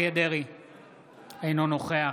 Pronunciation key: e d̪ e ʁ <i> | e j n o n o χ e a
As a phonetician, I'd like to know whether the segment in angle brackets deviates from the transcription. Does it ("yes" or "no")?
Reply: no